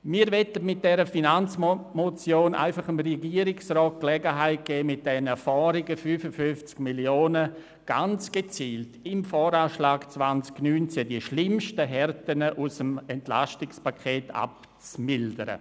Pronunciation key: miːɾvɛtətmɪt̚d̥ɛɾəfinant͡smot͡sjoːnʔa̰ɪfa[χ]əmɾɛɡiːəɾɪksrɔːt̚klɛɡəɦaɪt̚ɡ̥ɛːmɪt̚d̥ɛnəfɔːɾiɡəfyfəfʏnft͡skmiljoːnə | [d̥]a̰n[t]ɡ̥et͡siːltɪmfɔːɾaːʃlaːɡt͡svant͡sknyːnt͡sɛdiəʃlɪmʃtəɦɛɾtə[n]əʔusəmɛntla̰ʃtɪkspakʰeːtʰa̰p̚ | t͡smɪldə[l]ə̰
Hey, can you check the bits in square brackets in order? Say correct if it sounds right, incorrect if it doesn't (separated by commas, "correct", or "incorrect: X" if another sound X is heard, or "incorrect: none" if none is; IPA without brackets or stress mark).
correct, incorrect: ɡ̥, incorrect: t͡s, correct, incorrect: ɾ